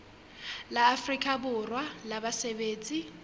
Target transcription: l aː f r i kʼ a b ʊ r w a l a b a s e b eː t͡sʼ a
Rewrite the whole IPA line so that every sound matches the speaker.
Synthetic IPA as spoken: l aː f r i kʼ a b ʊ r w a l a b a s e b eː t͡sʼ i